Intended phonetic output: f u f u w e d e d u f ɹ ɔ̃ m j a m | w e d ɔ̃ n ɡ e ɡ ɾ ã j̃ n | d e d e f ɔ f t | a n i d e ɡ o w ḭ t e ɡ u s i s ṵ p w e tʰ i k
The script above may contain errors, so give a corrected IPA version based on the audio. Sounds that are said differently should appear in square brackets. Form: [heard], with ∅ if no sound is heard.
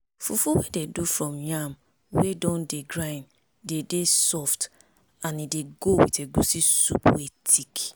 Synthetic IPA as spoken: f u f u w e d e d u f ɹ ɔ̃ m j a m | w e d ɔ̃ n [d] e ɡ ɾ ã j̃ n | d e d e [s] ɔ f t | a n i d e ɡ o w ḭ t e ɡ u s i s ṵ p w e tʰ i k